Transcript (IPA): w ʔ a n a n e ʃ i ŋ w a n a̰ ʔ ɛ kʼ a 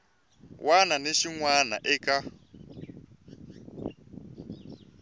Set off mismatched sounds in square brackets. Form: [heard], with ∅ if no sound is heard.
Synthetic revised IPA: w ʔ a n a n e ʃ i ŋ w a n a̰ ʔ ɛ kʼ a